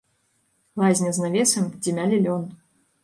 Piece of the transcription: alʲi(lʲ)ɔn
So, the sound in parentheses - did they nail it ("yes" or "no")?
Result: yes